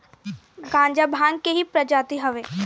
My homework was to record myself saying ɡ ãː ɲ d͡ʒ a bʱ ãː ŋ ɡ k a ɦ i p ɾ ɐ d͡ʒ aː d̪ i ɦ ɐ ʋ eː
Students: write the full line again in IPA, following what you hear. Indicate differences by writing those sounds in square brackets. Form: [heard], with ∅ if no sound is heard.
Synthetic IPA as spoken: ɡ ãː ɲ d͡ʒ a bʱ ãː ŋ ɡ k [e] ɦ i p ɾ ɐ d͡ʒ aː [t̪] i ɦ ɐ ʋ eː